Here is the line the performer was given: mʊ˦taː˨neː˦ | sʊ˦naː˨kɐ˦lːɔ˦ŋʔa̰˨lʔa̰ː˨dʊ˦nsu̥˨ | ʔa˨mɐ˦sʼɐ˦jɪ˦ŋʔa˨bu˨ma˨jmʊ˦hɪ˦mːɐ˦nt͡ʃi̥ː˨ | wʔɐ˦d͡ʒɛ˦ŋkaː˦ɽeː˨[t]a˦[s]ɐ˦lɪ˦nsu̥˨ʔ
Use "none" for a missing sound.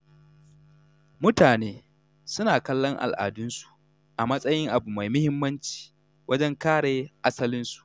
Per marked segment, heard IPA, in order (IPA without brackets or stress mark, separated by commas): ʔ, s